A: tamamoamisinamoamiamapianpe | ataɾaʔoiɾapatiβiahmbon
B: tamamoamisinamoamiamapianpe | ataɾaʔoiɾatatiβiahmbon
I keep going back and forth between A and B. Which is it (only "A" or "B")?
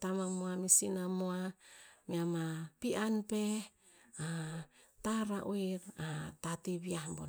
B